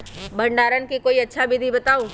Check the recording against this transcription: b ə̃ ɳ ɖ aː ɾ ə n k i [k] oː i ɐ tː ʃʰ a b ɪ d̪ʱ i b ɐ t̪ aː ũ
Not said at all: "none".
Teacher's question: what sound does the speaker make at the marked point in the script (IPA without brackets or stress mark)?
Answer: k